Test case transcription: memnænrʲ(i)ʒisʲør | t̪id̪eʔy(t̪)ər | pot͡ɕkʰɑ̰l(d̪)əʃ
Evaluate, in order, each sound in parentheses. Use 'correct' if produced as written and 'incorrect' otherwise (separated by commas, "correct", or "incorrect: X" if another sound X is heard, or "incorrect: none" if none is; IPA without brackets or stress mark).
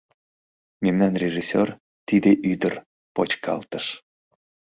incorrect: e, incorrect: d̪, incorrect: t̪